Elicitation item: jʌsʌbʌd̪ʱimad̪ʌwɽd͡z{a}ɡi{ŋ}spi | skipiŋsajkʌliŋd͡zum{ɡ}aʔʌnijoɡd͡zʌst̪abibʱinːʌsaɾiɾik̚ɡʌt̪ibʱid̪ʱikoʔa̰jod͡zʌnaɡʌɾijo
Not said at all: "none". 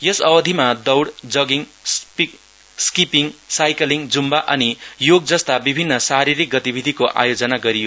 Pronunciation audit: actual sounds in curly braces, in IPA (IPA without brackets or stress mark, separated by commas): ʌ, ŋ, b